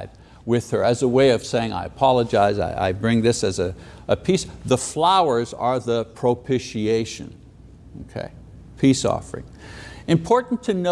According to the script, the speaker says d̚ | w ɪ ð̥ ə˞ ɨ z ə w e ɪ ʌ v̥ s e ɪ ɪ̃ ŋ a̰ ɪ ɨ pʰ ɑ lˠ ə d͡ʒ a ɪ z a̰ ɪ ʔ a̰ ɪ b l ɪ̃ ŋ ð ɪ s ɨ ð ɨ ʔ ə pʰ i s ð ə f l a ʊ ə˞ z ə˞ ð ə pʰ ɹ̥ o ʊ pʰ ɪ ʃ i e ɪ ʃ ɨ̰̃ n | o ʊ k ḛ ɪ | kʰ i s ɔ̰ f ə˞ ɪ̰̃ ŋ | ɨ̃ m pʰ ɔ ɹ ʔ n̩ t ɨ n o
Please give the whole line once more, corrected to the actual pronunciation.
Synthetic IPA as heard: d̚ | w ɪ ð̥ ə˞ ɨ z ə w e ɪ ʌ v̥ s e ɪ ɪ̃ ŋ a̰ ɪ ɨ pʰ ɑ lˠ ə d͡ʒ a ɪ z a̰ ɪ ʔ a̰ ɪ b ɹ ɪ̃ ŋ ð ɪ s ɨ z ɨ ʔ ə pʰ i s ð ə f l a ʊ ə˞ z ə˞ ð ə pʰ ɹ̥ o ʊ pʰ ɪ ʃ i e ɪ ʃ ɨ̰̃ n | o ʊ kʰ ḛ ɪ | pʰ i s ɔ̰ f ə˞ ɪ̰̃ ŋ | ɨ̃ m pʰ ɔ ɹ ʔ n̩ tʰ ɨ n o